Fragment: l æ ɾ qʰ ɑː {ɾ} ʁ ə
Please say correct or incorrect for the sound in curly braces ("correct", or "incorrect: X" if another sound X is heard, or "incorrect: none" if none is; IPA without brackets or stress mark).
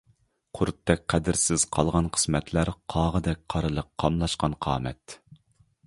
incorrect: none